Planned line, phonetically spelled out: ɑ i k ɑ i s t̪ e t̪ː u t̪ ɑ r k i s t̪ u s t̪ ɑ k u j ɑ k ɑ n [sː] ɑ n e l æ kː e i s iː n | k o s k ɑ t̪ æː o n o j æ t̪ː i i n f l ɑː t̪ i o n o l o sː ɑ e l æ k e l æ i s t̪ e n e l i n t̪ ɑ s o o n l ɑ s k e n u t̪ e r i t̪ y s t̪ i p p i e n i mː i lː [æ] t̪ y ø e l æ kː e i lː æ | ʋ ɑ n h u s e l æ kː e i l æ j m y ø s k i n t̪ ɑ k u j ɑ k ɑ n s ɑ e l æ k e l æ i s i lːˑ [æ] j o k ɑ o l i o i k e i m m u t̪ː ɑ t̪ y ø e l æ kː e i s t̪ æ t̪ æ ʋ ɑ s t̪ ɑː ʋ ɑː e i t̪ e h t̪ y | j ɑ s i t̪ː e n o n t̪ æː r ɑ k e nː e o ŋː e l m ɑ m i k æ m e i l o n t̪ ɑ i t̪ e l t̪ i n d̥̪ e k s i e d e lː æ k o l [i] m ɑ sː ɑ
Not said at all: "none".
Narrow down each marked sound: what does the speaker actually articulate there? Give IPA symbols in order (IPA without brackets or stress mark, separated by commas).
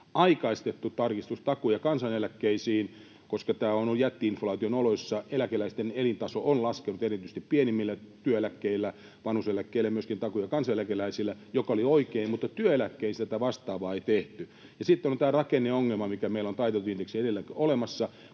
s, æ, æ, e